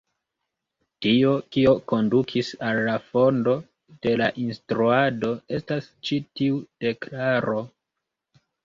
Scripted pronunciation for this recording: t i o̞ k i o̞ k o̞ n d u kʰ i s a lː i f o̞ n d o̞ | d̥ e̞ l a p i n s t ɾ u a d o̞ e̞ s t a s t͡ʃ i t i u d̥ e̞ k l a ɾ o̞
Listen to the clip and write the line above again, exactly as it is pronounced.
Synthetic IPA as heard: t i o̞ k i o̞ k o̞ n d u kʰ i s a lː a f o̞ n d o̞ | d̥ e̞ l a ʔ i n s t ɾ u a d o̞ e̞ s t a s t͡ʃ i t i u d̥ e̞ k l a ɾ o̞

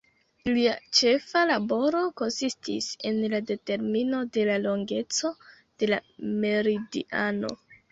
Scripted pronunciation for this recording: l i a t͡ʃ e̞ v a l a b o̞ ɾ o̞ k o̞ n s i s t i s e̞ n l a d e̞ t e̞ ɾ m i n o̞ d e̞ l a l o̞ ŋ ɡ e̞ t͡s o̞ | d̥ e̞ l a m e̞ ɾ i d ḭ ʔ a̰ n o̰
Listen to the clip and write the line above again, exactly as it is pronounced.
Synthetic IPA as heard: l i a t͡ʃ e̞ f a l a b o̞ ɾ o̞ k o̞ n s i s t i s e̞ n l a d e̞ t e̞ ɾ m i n o̞ d e̞ l a l o̞ ŋ ɡ e̞ t͡s o̞ | d̥ e̞ l a m e̞ ɾ i d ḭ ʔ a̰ n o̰

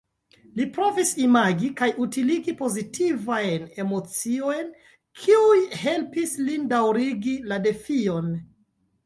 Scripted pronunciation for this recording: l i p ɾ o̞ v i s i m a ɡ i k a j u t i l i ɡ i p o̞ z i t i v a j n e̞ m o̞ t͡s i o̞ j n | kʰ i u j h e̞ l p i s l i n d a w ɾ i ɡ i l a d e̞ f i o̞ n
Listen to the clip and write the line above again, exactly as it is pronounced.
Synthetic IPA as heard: l i p ɾ o̞ v i s i m a ɡ i k a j u t i l i ɡ i p o̞ z i t i v a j n e̞ m o̞ t͡s i o̞ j n | kʰ i u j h e̞ l p i s l i n d a w ɾ i ɡ i l a d e̞ f i o̞ n

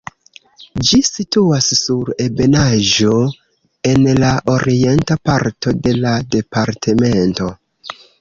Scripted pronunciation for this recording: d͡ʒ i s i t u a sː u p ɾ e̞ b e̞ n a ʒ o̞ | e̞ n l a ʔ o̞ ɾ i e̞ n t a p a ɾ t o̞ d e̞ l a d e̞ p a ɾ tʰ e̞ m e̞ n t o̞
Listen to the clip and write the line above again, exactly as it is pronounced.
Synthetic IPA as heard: d͡ʒ i s i t u a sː u ɾ e̞ b e̞ n a ʒ o̞ | e̞ n l a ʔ o̞ ɾ i e̞ n t a p a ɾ t o̞ d e̞ l a d e̞ p a ɾ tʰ e̞ m e̞ n t o̞

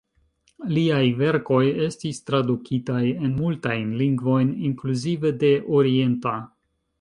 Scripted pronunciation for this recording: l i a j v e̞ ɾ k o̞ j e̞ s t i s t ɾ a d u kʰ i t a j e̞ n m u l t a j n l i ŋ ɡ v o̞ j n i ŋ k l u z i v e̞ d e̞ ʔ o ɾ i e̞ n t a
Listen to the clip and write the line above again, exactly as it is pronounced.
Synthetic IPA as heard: l i a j v e̞ ɾ k o̞ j e̞ s t i s t ɾ a d u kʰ i t a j e̞ n m u l t a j n l i ŋ ɡ v o̞ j n i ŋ k l u z i v e̞ d e̞ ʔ o ɾ i e̞ n t a

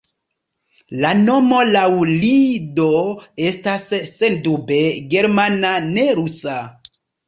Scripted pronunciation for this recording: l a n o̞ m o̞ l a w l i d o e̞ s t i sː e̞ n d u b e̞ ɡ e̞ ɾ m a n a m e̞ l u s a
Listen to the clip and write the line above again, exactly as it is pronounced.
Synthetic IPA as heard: l a n o̞ m o̞ l a w l i d o e̞ s t a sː e̞ n d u b e̞ ɡ e̞ ɾ m a n a n e̞ ɾ u s a

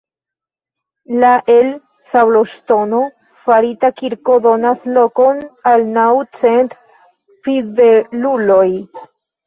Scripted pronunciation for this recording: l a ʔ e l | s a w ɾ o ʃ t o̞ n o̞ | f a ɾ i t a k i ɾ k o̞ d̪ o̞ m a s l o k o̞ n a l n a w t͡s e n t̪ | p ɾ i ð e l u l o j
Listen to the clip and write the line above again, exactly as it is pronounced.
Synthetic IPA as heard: l a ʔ e l | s a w l o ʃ t o̞ n o̞ | f a ɾ i t a k i ɾ k o̞ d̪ o̞ n a s l o k o̞ n a l n a w t͡s e n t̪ | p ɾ i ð e l u l o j

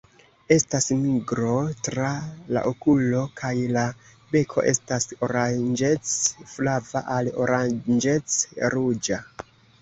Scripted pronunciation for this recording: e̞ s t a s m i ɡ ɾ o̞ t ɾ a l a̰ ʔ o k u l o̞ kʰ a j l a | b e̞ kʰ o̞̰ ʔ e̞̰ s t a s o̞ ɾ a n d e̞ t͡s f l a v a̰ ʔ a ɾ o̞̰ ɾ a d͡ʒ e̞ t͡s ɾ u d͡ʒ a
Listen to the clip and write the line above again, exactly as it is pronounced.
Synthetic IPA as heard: e̞ s t a s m i ɡ ɾ o̞ t ɾ a l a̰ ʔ o k u l o̞ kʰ a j l a | b e̞ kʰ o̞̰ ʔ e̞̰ s t a s o̞ ɾ a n d͡ʒ e̞ t͡s f l a v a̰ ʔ a l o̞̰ ɾ a d͡ʒ e̞ t͡s ɾ u d͡ʒ a

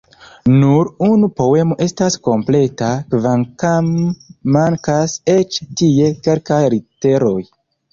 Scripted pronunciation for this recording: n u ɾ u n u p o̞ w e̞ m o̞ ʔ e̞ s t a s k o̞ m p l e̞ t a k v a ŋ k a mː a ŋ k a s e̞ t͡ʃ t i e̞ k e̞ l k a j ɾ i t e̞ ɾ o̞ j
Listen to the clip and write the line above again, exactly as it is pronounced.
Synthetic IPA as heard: n u ɾ u n u p o̞ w e̞ m o̞ ʔ e̞ s t a s k o̞ m p l e̞ t a k v a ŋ k a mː a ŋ k a s e̞ t͡ʃ t i e̞ k e̞ l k a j ɾ i t e̞ ɾ o̞ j

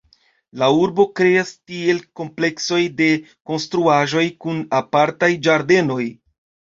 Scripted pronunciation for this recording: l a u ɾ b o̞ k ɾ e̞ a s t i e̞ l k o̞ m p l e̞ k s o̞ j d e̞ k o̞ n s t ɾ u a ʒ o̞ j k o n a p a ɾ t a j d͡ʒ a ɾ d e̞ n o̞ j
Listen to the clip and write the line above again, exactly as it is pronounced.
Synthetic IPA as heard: l a u ɾ b o̞ k ɾ e̞ a s t i e̞ l k o̞ m p l e̞ k s o̞ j d e̞ k o̞ n s t ɾ u a ʒ o̞ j k u n a p a ɾ t a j d͡ʒ a ɾ d e̞ n o̞ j

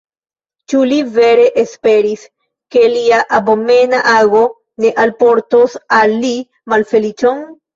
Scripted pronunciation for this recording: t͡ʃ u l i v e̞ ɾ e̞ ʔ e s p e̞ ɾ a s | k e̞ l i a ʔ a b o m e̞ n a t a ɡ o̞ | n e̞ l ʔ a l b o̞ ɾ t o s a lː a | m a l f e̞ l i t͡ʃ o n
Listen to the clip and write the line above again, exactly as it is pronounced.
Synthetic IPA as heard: t͡ʃ u l i v e̞ ɾ e̞ ʔ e s p e̞ ɾ i s | k e̞ l i a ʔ a b o m e̞ n a ʔ a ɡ o̞ | n e̞ ʔ a l p o̞ ɾ t o s a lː i | m a l f e̞ l i t͡ʃ o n

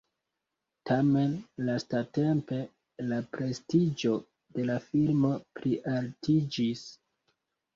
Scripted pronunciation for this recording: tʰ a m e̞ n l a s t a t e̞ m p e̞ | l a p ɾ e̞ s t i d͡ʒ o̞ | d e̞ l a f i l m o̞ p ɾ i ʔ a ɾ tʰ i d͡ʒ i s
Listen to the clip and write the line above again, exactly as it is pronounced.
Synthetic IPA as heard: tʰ a m e̞ n l a s t a t e̞ m p e̞ | l a p ɾ e̞ s t i d͡ʒ o̞ | d e̞ l a f i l m o̞ p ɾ i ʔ a l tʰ i d͡ʒ i s

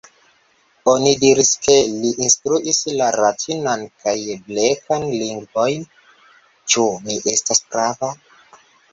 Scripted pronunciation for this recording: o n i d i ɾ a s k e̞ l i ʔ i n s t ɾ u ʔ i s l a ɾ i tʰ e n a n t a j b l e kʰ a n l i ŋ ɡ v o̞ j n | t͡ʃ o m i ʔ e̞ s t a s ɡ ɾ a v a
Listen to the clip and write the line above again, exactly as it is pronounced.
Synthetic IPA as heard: o n i d i ɾ i s k e̞ l i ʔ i n s t ɾ u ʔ i s l a ɾ a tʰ i n a n k a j b l e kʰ a n l i ŋ ɡ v o̞ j n | t͡ʃ u m i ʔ e̞ s t a s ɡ ɾ a v a

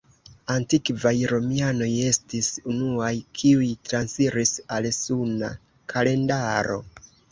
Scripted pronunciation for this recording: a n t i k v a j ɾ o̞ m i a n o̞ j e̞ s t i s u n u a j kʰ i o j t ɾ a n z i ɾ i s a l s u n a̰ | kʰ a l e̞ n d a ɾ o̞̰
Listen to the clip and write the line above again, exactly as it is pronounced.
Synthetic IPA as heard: a n t i k v a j ɾ o̞ m i a n o̞ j e̞ s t i s u n u a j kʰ i u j t ɾ a n s i ɾ i s a l s u n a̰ | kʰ a l e̞ n d a ɾ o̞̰

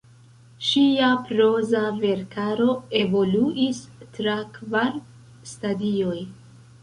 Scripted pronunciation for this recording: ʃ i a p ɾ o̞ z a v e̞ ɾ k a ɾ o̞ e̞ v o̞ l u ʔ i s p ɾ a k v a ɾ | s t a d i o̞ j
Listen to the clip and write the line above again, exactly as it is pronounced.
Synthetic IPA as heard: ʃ i a p ɾ o̞ z a v e̞ ɾ k a ɾ o̞ e̞ v o̞ l u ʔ i s t ɾ a k v a ɾ | s t a d i o̞ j

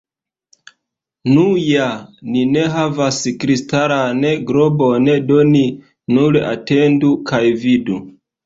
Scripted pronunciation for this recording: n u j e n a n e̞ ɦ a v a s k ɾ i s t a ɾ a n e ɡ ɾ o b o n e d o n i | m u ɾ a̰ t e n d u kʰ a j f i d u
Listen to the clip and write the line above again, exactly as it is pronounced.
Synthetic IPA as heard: n u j a n i n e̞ ɦ a v a s k ɾ i s t a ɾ a n e ɡ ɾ o b o n e d o n i | n u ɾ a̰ t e n d u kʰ a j v i d u

